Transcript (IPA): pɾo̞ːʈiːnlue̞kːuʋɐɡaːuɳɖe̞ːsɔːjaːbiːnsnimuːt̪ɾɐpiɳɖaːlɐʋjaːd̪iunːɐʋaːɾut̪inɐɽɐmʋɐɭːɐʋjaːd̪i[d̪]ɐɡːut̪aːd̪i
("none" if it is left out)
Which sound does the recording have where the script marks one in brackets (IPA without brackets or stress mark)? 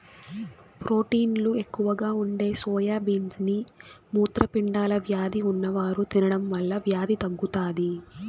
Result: t̪